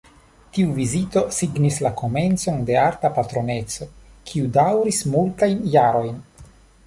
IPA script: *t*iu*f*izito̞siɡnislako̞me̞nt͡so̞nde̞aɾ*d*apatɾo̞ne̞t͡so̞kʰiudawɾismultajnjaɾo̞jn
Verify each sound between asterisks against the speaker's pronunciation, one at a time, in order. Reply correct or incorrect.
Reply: correct, incorrect: v, incorrect: t

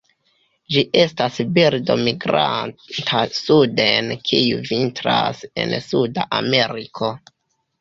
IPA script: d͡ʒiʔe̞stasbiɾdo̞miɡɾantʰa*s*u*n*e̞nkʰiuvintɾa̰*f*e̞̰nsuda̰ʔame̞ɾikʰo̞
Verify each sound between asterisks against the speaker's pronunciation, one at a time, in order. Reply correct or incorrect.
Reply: correct, incorrect: d, incorrect: s

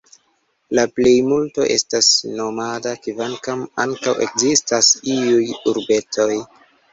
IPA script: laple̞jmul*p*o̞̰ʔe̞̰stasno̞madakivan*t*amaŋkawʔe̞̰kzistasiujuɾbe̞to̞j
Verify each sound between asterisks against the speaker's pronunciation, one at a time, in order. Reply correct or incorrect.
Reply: incorrect: t, incorrect: k

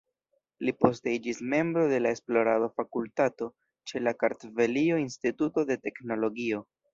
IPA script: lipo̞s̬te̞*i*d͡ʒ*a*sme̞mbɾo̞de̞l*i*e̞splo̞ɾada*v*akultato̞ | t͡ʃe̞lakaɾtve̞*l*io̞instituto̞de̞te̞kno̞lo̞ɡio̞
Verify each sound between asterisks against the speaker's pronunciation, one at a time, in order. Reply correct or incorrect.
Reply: correct, incorrect: i, incorrect: a, incorrect: f, correct

